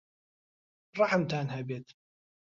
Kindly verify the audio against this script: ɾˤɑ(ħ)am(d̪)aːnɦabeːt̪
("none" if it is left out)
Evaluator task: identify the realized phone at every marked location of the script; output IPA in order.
ħ, t̪

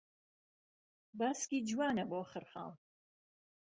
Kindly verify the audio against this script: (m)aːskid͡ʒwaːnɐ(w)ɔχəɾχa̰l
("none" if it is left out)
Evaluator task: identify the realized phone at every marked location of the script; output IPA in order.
b, b

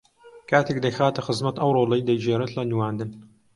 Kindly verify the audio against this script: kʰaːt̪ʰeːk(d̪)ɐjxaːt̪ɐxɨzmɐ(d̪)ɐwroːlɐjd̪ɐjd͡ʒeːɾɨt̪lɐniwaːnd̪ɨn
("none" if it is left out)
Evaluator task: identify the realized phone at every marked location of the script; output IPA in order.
d̪, t̪

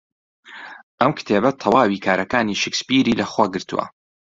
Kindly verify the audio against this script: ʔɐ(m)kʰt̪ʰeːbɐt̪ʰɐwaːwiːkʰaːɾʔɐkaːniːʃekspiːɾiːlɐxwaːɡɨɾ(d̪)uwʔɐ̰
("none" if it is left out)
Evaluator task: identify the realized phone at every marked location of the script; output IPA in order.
m, t̪

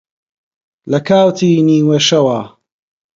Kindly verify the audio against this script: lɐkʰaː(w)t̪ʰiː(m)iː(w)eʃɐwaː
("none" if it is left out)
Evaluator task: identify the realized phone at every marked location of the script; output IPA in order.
w, n, w

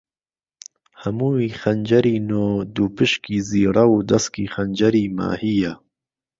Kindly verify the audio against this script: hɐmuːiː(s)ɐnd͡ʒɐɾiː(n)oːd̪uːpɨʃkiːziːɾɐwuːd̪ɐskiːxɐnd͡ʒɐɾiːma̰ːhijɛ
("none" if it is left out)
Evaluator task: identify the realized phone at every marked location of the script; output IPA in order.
x, n

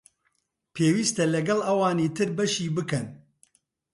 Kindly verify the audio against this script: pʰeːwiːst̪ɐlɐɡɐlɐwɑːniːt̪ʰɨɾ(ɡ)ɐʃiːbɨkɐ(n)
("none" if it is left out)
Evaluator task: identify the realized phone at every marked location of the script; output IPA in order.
b, n

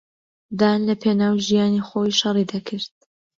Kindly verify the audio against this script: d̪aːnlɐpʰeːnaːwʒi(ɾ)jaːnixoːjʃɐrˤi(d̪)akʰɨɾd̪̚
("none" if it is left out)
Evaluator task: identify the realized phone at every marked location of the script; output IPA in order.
none, d̪

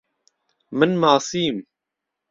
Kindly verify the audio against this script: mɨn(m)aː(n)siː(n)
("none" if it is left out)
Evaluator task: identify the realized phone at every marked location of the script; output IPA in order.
m, none, m

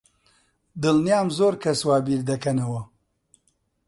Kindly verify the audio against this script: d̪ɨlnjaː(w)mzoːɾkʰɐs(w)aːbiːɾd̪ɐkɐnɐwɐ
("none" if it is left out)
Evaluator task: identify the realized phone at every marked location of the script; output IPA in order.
none, w

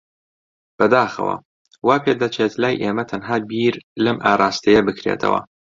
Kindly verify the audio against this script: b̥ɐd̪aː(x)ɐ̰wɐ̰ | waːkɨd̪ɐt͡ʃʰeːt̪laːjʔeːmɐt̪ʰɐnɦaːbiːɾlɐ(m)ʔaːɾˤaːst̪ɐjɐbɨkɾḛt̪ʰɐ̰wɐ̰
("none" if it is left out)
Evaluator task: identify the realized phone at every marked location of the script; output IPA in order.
x, m

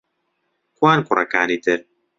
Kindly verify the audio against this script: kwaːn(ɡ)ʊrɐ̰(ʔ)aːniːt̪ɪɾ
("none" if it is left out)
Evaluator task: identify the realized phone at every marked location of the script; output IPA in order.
k, k

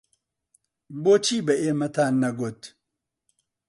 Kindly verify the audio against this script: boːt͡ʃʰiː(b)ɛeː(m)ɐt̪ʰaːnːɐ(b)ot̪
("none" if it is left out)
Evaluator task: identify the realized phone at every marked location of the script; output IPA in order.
b, m, ɡ

